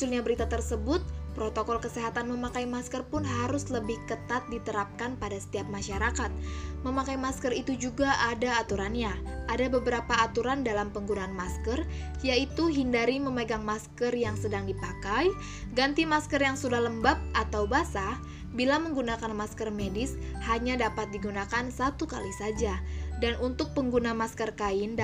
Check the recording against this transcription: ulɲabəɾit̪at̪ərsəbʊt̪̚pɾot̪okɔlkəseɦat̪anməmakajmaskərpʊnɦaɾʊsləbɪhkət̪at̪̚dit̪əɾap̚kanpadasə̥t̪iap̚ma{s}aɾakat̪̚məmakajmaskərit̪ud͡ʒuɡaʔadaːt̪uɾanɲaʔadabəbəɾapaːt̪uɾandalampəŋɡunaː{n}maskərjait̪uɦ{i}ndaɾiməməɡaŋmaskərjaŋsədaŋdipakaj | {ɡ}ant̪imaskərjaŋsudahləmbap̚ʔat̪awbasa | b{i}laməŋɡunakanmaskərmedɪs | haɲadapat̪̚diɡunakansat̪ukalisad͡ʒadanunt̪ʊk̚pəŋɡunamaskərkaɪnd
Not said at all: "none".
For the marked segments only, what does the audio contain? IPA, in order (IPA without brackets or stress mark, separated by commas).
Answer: ʃ, n, i, ɡ, i